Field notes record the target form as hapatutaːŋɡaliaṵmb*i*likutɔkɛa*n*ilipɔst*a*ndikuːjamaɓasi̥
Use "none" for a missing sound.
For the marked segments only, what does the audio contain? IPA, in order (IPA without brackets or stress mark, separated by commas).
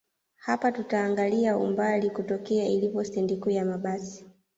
a, none, ɛ